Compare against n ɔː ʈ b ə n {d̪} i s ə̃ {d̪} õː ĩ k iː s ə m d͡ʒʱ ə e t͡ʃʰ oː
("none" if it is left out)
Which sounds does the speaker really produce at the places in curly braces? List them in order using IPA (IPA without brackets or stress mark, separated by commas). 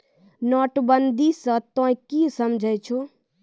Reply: d̪, t̪